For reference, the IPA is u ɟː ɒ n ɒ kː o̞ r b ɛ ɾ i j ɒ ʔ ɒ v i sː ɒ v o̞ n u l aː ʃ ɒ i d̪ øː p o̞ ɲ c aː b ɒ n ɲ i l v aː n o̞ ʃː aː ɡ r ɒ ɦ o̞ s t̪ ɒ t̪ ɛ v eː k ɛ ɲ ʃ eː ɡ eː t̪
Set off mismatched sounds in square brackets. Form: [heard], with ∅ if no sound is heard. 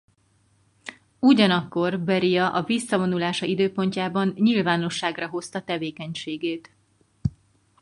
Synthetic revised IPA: u [ɟ] ɒ n ɒ kː o̞ r b ɛ ɾ i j ɒ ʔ ɒ v i sː ɒ v o̞ n u l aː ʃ ɒ i d̪ øː p o̞ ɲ c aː b ɒ n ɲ i l v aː n o̞ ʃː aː ɡ r ɒ ɦ o̞ s t̪ ɒ t̪ ɛ v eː k ɛ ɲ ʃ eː ɡ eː t̪